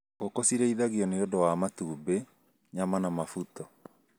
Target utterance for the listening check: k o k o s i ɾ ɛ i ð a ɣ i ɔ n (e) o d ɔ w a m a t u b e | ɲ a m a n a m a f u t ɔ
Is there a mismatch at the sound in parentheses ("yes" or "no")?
no